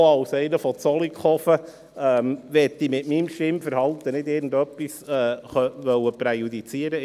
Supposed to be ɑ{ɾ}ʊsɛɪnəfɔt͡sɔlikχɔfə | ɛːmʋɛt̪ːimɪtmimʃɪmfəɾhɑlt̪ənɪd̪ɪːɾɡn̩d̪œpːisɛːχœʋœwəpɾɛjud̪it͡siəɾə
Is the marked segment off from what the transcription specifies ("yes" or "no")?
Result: yes